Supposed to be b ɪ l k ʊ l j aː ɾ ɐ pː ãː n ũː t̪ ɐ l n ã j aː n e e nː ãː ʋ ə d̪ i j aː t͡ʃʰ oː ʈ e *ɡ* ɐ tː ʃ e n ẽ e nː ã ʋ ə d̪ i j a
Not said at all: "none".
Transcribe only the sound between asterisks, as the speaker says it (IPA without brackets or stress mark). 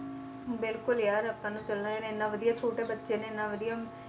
b